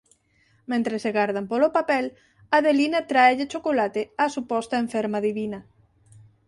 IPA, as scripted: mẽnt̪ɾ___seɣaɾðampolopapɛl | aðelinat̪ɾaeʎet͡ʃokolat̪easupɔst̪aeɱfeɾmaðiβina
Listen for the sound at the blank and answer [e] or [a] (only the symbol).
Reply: e